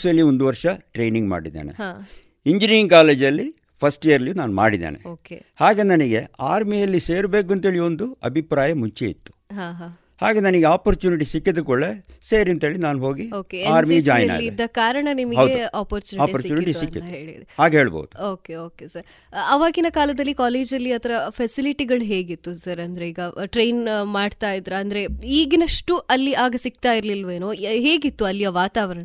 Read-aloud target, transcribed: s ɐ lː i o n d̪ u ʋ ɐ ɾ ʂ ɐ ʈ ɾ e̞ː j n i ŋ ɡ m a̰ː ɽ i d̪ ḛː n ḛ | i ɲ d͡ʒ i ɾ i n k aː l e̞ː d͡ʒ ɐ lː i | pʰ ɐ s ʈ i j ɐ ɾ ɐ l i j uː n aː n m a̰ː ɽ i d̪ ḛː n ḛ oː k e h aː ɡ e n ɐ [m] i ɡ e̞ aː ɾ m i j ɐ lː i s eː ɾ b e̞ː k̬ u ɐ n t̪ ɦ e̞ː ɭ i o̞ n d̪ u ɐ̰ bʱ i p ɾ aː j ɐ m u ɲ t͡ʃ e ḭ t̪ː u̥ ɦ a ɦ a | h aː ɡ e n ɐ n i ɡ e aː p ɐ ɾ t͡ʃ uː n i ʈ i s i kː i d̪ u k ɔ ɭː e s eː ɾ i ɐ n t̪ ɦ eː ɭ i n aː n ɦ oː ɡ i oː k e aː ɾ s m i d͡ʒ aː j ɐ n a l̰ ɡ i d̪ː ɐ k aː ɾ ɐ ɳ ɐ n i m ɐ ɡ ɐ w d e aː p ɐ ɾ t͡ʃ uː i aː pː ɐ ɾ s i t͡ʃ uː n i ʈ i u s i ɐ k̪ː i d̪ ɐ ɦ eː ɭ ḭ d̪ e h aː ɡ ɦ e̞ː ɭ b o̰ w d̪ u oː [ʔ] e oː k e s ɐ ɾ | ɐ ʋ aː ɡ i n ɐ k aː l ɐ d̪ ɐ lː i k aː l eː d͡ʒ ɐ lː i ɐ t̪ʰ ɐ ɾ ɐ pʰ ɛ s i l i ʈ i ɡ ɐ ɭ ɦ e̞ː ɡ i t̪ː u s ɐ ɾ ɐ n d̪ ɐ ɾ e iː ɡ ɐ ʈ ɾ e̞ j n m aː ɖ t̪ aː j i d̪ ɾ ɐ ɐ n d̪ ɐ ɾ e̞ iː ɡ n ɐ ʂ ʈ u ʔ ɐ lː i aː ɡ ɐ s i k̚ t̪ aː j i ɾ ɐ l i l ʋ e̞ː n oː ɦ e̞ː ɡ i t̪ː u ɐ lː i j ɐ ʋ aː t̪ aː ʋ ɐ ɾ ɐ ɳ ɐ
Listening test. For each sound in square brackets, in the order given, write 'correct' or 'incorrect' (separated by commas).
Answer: incorrect, incorrect